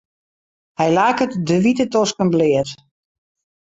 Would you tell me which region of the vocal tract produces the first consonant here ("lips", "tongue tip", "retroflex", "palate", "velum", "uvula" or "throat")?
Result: throat